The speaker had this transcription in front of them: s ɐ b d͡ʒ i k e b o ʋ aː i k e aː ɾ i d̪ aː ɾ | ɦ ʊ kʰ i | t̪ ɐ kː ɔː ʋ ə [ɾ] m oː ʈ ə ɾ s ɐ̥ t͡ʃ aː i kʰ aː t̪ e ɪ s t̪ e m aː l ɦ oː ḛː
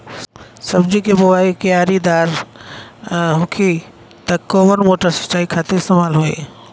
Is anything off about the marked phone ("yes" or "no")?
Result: no